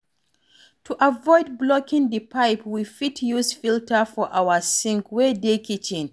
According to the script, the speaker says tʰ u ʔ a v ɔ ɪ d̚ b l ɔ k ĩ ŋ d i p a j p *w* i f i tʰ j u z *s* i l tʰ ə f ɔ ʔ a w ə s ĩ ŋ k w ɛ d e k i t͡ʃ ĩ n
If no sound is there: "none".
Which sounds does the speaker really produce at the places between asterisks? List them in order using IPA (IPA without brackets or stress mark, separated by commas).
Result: w, f